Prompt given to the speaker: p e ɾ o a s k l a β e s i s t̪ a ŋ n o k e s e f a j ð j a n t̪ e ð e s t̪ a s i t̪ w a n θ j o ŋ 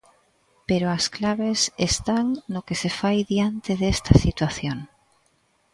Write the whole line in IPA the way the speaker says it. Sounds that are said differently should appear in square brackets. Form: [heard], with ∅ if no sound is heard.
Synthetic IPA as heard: p e ɾ o a s k l a β e s [e] s t̪ a ŋ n o k e s e f a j ð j a n t̪ e ð e s t̪ a s i t̪ w a [∅] θ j o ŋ

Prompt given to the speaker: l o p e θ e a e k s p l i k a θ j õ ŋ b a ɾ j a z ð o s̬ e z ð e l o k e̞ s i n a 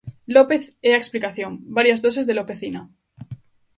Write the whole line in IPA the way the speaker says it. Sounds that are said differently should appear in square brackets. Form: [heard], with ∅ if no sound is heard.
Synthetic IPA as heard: l o p e θ e a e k s p l i k a θ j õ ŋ b a ɾ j a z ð o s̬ e z ð e l o [p] e̞ [θ] i n a

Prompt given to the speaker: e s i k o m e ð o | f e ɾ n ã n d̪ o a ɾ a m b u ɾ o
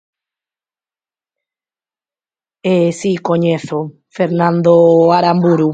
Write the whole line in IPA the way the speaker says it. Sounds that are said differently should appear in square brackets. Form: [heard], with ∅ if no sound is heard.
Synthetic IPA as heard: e s i k o [ɲ] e [θ] o | f e ɾ n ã n d̪ o a ɾ a m b u ɾ [u]

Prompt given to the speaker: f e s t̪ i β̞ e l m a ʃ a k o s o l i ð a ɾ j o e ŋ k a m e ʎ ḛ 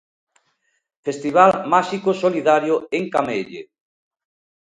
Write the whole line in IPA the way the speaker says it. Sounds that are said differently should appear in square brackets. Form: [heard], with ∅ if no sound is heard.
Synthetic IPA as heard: f e s t̪ i β̞ [a] l m a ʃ [i] k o s o l i ð a ɾ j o e ŋ k a m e ʎ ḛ

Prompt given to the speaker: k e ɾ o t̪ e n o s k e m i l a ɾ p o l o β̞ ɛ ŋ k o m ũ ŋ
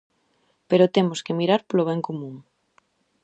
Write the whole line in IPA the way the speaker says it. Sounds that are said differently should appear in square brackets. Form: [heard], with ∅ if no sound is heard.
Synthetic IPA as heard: [p] e ɾ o t̪ e [m] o s k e m i [ɾ] a ɾ p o l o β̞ ɛ ŋ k o m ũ ŋ

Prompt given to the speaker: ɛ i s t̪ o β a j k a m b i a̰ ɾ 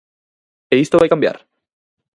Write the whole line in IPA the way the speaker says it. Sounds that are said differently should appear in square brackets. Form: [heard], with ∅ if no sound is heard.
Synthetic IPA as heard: [e] i s t̪ o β a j k a m b [j] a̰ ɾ

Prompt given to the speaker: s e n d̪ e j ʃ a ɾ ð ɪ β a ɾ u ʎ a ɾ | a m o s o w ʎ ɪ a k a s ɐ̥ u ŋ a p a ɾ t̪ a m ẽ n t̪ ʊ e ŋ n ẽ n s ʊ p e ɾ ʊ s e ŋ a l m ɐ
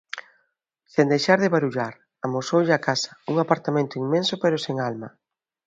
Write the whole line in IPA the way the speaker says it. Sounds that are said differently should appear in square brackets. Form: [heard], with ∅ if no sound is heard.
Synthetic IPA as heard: s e n d̪ e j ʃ a ɾ ð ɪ β a ɾ u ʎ a ɾ | a m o s o w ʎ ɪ a k a s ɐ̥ u ŋ a p a ɾ t̪ a m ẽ n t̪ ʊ [i] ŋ [m] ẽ n s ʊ p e ɾ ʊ s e ŋ a l m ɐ

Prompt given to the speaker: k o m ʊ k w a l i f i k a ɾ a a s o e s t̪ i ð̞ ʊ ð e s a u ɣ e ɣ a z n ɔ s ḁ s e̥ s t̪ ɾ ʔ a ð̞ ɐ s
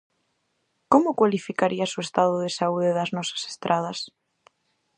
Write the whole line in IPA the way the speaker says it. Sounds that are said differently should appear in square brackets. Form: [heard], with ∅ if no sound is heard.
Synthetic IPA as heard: k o m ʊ k w a l i f i k a ɾ [i] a s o e s t̪ [a] ð̞ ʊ ð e s a u [ð] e [ð] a z n ɔ s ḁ s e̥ s t̪ ɾ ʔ a ð̞ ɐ s

